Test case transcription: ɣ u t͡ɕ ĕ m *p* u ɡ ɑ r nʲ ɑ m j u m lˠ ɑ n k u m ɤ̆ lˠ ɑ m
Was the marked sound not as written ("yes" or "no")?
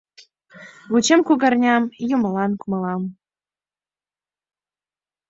yes